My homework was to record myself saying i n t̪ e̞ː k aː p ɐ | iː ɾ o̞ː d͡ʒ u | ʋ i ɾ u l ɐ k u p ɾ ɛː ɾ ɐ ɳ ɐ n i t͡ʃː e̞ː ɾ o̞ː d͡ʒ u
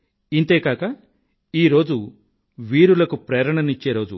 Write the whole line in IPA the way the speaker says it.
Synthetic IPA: i n t̪ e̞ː k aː k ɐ | iː ɾ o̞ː d͡ʒ u | ʋ iː ɾ u l ɐ k u p ɾ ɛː ɾ ɐ ɳ ɐ n i t͡ʃː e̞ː ɾ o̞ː d͡ʒ u